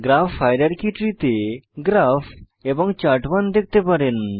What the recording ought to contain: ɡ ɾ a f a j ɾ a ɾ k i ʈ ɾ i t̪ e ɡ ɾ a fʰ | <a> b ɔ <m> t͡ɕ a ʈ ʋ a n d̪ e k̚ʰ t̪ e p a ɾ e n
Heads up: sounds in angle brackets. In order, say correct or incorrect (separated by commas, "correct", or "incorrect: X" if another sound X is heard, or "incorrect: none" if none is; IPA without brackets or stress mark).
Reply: incorrect: e, incorrect: ŋ